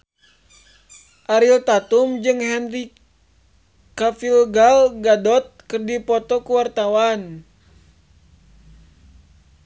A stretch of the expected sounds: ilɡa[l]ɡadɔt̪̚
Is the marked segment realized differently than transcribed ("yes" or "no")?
no